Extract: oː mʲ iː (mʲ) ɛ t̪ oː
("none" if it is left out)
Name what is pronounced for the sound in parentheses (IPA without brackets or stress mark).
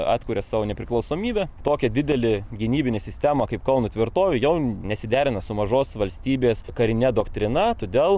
bʲ